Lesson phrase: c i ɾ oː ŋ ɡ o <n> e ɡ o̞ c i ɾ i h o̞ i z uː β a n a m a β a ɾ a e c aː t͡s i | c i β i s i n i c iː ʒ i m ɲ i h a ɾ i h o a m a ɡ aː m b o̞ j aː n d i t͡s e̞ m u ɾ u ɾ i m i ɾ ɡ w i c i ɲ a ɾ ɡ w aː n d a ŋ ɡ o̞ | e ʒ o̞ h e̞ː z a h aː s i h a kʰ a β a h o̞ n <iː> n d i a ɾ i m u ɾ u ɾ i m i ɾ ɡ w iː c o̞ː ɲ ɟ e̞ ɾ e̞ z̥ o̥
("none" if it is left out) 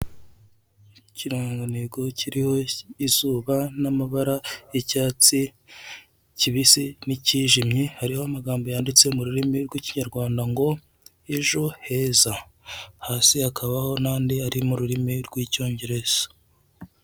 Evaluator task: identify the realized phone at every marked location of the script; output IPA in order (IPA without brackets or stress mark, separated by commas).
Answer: n, aː